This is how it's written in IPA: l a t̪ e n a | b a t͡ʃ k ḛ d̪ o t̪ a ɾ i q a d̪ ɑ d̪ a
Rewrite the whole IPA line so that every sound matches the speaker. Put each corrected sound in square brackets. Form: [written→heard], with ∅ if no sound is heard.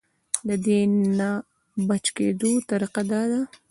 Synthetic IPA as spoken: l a [t̪→d̪] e n a | b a t͡ʃ k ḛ d̪ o t̪ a ɾ i q a d̪ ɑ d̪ a

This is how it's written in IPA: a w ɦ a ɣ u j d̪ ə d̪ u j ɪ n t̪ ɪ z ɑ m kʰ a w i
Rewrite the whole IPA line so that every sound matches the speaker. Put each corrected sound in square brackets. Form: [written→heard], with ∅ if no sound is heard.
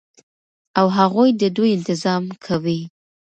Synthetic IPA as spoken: a w ɦ a ɣ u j d̪ ə d̪ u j ɪ n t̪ ɪ z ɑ m kʰ a w i

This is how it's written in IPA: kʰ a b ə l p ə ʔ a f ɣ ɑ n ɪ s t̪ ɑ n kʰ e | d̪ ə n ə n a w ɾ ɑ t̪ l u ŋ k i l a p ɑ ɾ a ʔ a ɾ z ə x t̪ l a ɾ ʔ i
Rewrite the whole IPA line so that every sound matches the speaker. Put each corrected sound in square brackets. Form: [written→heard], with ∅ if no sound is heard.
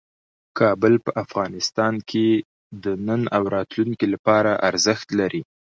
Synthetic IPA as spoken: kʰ [a→ɑ] b ə l p ə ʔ a f ɣ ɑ n ɪ s t̪ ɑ n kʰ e | d̪ ə n ə n a w ɾ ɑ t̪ l u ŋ k i l a p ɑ ɾ a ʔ a ɾ z ə x t̪ l a ɾ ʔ i

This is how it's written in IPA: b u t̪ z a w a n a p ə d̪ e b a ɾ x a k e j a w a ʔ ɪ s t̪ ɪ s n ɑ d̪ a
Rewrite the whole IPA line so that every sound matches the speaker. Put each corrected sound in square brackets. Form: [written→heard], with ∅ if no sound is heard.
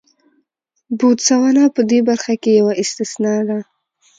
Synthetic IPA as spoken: b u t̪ [z→s] a w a n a p ə d̪ e b a ɾ x a k e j a w a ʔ ɪ s t̪ ɪ s n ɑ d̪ a

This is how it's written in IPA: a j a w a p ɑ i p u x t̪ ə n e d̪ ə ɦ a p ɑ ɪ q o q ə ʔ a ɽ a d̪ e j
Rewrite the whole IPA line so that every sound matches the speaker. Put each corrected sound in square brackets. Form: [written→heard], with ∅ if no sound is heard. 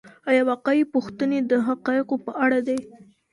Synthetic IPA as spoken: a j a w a [p→q] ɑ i p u x t̪ ə n e d̪ ə ɦ a [p→q] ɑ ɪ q o [q→p] ə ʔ a ɽ a d̪ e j

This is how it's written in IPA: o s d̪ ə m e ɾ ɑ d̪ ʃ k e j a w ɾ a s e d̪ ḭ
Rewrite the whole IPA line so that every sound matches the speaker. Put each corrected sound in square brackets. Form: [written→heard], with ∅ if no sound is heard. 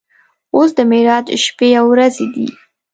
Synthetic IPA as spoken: o s d̪ ə m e ɾ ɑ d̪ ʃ [k→p] e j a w ɾ a [s→z] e d̪ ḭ

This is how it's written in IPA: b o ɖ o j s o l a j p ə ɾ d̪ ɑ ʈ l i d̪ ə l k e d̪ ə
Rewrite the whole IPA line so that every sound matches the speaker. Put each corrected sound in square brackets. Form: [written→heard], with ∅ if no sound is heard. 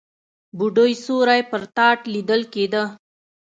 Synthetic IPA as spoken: b [o→u] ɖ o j s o [l→ɾ] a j p ə ɾ [d̪→t̪] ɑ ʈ l i d̪ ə l k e d̪ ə

